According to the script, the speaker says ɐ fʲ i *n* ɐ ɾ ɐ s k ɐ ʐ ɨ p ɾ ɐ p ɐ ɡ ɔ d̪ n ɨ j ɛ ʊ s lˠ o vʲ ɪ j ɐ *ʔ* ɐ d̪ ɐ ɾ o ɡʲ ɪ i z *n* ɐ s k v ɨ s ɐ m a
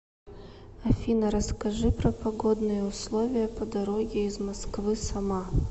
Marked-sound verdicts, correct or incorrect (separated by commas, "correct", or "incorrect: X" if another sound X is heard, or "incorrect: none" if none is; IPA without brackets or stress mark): correct, incorrect: p, incorrect: m